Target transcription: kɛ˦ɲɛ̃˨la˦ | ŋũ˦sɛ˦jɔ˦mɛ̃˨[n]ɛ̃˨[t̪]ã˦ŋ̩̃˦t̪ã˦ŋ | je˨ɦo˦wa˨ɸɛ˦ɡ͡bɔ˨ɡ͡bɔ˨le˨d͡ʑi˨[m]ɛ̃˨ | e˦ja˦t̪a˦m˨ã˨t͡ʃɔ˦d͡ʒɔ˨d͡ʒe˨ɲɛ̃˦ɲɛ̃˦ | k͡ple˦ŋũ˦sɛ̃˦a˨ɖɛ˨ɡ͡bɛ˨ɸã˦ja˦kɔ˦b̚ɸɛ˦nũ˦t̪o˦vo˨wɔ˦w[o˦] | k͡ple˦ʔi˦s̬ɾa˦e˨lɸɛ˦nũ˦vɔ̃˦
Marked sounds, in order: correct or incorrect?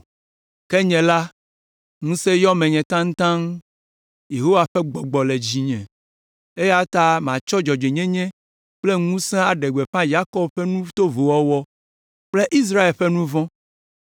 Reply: incorrect, correct, incorrect, incorrect

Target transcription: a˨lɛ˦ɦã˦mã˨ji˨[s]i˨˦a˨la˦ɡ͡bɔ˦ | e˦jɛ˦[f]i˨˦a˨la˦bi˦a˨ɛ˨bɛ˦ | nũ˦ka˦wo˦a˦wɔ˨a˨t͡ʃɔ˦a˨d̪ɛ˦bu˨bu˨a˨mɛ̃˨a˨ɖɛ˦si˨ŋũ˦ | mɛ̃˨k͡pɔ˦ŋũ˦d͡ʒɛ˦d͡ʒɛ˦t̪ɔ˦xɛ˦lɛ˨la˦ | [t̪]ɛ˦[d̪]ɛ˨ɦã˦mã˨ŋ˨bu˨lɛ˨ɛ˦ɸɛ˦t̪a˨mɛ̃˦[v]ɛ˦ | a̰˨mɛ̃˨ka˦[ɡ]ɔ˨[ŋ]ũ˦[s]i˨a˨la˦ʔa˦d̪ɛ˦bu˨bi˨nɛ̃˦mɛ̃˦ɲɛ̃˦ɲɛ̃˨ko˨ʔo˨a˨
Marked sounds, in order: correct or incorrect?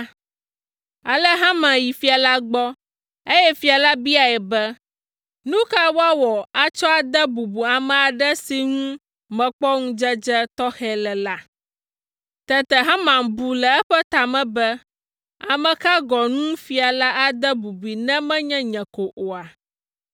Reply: incorrect, correct, correct, incorrect, incorrect, correct, incorrect, incorrect

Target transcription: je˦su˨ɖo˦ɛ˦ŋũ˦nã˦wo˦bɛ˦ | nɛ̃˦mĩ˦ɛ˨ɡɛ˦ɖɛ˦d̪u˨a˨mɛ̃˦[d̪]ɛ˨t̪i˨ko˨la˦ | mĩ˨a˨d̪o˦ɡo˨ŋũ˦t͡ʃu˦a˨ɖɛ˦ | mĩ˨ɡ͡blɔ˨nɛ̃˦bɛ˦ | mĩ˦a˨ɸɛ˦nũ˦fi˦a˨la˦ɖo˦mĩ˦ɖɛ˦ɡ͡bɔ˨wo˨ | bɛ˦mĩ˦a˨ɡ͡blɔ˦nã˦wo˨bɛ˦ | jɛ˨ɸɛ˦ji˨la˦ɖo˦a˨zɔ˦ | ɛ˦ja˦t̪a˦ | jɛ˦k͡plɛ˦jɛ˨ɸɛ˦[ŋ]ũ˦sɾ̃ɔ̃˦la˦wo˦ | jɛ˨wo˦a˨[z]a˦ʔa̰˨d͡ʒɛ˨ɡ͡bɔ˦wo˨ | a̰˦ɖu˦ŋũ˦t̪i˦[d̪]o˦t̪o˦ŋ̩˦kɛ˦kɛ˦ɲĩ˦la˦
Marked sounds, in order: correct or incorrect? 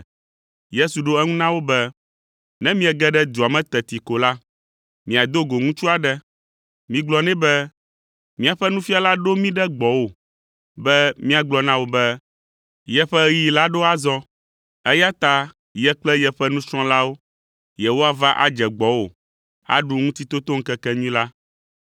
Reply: incorrect, incorrect, incorrect, incorrect

